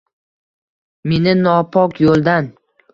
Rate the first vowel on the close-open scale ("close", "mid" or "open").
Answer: mid